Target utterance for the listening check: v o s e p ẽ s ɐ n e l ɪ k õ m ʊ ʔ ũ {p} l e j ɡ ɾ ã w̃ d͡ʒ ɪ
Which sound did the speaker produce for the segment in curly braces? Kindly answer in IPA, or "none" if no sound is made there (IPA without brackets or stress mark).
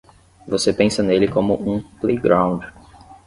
p